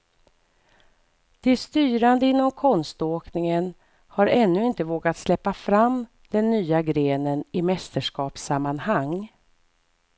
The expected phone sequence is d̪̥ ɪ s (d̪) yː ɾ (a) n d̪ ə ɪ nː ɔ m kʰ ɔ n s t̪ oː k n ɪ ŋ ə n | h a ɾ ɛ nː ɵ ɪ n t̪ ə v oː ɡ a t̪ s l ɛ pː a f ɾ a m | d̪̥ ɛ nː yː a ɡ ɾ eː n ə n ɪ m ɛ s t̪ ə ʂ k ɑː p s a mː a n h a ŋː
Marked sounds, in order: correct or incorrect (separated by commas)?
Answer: incorrect, correct